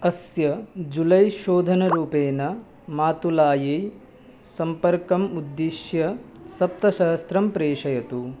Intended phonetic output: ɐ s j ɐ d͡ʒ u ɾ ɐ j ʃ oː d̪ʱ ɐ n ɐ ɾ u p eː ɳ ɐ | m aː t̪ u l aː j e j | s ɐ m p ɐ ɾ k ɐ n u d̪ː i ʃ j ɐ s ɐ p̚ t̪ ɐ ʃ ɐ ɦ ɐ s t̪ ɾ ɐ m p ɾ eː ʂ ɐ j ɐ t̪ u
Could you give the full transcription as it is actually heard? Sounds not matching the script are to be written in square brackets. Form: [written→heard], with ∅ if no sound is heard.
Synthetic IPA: ɐ s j ɐ d͡ʒ u [ɾ→l] ɐ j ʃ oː d̪ʱ ɐ n ɐ ɾ [u→uː] p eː [ɳ→n] ɐ | m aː t̪ u l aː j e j | s ɐ m p ɐ ɾ k ɐ [n→m] u d̪ː i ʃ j ɐ s ɐ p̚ t̪ ɐ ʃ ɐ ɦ ɐ s t̪ ɾ ɐ m p ɾ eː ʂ ɐ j ɐ t̪ u